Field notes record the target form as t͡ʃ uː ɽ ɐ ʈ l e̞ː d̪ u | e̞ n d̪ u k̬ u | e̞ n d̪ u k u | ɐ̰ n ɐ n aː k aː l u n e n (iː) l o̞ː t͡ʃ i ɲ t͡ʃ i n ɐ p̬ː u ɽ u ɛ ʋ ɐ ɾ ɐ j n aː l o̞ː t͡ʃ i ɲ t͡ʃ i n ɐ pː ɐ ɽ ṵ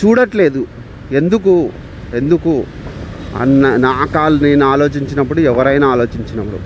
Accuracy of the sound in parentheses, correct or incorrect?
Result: incorrect